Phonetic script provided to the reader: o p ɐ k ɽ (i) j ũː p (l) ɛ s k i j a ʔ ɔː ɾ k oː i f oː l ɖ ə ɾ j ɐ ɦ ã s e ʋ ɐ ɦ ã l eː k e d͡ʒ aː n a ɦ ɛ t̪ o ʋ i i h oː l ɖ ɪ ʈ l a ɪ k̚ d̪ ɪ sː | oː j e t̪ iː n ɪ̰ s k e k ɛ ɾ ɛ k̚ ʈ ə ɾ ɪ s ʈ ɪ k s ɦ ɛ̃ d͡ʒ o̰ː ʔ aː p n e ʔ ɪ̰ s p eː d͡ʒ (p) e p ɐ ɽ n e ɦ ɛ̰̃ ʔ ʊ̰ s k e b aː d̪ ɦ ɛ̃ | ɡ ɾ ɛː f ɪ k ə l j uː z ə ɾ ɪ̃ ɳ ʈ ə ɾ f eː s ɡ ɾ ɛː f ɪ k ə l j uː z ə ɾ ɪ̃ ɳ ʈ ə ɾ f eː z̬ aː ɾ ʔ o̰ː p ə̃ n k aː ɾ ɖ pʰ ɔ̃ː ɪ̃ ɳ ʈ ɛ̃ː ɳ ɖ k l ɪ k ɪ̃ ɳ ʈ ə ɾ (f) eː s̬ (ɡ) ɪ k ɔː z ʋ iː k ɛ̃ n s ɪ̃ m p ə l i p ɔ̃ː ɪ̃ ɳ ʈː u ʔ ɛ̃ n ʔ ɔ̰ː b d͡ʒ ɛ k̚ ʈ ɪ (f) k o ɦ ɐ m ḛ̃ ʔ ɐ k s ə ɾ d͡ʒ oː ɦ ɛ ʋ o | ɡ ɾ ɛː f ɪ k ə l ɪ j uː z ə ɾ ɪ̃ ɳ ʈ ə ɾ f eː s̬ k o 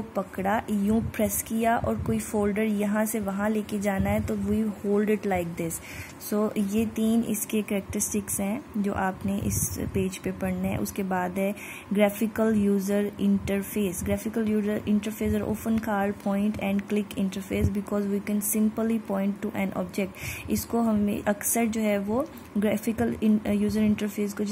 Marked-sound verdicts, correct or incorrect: incorrect: a, incorrect: ɾ, correct, correct, incorrect: b, incorrect: s

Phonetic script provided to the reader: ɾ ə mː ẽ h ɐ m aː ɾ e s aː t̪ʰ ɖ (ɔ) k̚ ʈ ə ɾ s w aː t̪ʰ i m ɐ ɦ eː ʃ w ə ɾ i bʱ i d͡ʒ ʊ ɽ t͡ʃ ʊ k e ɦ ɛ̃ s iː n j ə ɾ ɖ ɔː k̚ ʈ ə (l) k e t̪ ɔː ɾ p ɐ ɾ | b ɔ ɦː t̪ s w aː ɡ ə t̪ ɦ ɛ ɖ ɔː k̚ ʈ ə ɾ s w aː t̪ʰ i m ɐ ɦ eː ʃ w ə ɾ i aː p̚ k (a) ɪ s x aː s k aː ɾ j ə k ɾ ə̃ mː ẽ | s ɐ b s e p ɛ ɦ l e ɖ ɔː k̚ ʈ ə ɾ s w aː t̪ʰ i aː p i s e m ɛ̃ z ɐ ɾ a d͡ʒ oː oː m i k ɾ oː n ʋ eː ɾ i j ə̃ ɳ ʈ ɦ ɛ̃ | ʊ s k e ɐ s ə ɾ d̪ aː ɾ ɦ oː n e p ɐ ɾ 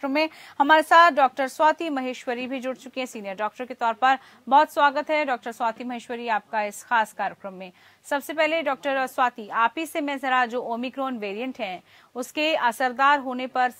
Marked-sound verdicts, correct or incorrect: incorrect: ɔː, incorrect: ɾ, correct

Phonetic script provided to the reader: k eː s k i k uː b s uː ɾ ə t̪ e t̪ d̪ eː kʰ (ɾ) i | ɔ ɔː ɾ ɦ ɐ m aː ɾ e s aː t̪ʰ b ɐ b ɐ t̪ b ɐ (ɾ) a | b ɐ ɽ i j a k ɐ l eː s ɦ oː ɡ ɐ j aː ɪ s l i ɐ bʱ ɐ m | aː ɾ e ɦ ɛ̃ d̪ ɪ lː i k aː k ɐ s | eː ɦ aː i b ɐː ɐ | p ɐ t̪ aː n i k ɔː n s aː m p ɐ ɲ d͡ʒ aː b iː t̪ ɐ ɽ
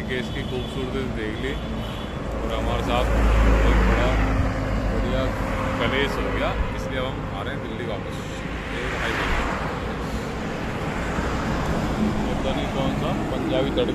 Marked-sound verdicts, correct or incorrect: incorrect: l, incorrect: ɽ

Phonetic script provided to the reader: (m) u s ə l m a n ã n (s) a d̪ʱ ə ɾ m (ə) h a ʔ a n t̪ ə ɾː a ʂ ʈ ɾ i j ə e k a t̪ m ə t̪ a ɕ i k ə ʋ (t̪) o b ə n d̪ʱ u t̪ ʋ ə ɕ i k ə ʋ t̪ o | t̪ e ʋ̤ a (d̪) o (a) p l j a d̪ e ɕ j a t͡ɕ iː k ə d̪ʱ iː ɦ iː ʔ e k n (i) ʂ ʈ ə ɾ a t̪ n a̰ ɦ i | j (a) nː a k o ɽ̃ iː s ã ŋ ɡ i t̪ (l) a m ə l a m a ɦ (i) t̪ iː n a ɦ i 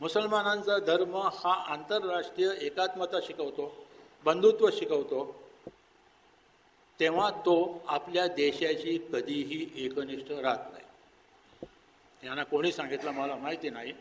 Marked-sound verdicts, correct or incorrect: correct, incorrect: t͡s, correct, correct, incorrect: t̪, correct, correct, correct, correct, correct

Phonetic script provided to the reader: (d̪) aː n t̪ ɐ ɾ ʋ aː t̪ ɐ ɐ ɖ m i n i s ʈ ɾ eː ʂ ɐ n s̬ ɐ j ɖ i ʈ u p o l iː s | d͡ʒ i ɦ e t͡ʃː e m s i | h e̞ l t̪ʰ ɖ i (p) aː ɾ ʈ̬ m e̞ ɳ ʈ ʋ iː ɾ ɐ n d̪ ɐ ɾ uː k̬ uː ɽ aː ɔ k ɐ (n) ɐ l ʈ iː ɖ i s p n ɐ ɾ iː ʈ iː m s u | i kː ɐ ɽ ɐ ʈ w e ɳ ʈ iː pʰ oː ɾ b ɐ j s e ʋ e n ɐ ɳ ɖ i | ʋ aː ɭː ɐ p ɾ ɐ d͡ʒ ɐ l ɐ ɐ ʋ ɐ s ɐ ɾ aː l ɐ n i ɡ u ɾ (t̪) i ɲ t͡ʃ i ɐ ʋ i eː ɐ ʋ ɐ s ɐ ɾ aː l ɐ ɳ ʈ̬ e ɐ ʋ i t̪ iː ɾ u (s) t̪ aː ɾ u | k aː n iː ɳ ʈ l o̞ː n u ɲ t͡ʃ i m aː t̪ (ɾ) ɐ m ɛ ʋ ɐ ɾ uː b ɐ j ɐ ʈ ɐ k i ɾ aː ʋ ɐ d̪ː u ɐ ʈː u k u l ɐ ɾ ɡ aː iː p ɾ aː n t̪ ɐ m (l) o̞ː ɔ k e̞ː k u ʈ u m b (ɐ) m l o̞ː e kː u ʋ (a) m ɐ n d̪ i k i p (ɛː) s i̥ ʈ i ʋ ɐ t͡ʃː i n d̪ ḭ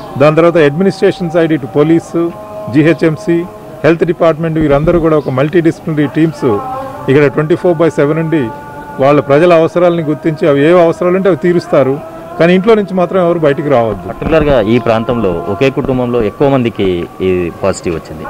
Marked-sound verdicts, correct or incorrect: correct, correct, incorrect: m, correct, correct, correct, correct, correct, incorrect: ɐ, incorrect: aː

